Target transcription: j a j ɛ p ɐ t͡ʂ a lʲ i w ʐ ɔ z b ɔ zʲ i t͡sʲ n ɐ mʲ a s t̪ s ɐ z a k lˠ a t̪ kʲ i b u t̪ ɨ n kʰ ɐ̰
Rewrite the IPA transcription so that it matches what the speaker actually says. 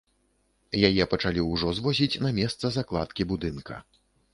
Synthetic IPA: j a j ɛ p ɐ t͡ʂ a lʲ i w ʐ ɔ z v ɔ zʲ i t͡sʲ n ɐ mʲ ɛ s t̪ s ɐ z a k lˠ a t̪ kʲ i b u d̪ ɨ n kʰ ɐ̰